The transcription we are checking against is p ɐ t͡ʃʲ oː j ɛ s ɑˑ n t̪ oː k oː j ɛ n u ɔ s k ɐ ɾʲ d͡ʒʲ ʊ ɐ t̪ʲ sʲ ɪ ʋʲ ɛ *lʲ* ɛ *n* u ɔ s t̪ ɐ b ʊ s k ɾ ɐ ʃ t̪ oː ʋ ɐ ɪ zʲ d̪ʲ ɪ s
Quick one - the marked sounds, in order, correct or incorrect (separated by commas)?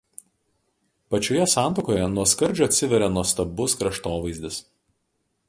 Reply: incorrect, correct